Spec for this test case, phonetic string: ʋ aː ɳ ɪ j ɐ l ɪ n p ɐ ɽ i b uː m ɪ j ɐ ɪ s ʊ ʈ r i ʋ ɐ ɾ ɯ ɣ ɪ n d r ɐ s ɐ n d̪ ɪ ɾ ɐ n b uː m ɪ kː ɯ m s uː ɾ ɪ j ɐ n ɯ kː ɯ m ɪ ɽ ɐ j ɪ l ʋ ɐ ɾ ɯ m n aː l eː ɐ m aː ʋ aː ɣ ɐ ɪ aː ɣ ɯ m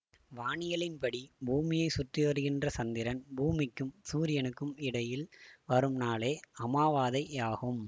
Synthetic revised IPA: ʋ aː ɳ ɪ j ɐ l ɪ n p ɐ ɽ i b uː m ɪ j ɐ ɪ s ʊ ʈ r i ʋ ɐ ɾ ɯ ɣ ɪ n d r ɐ s ɐ n d̪ ɪ ɾ ɐ n b uː m ɪ kː ɯ m s uː ɾ ɪ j ɐ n ɯ kː ɯ m ɪ ɽ ɐ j ɪ l ʋ ɐ ɾ ɯ m n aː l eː ɐ m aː ʋ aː ð ɐ ɪ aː ɣ ɯ m